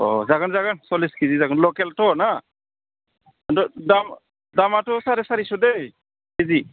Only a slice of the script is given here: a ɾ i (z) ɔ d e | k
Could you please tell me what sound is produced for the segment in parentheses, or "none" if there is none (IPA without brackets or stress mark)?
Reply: s